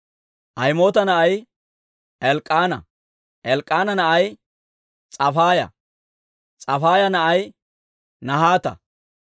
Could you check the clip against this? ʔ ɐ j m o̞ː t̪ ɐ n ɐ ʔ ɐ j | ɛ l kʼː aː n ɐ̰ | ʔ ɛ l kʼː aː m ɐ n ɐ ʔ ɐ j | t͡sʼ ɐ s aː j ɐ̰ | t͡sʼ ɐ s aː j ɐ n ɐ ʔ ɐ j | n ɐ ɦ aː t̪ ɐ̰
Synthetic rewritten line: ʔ ɐ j m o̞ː t̪ ɐ n ɐ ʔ ɐ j | ɛ l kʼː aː n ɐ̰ | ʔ ɛ l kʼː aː n ɐ n ɐ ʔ ɐ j | t͡sʼ ɐ f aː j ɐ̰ | t͡sʼ ɐ f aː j ɐ n ɐ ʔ ɐ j | n ɐ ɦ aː t̪ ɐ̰